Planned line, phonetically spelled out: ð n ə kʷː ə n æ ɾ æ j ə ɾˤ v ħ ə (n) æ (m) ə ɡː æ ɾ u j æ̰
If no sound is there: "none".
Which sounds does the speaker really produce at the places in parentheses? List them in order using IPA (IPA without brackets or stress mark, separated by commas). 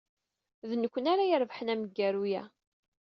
n, m